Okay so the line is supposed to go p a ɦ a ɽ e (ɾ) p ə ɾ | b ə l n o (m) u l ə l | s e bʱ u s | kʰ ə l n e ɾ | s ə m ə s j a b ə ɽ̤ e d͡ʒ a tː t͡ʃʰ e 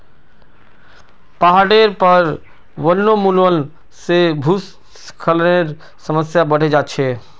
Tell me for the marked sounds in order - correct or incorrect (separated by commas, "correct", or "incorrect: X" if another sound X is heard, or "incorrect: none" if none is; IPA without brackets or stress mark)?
correct, correct